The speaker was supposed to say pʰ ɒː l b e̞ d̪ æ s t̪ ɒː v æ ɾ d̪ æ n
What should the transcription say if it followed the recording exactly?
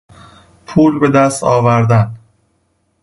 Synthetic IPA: pʰ uː l b e̞ d̪ æ s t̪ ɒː v æ ɾ d̪ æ n